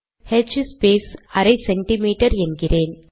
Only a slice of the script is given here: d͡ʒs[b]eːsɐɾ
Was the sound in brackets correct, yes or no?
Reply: no